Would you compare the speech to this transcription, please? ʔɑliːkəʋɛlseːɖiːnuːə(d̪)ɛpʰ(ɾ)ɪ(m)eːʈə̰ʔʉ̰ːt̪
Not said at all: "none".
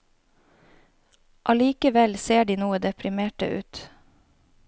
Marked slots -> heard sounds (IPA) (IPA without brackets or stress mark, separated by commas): d̪, ɾ, m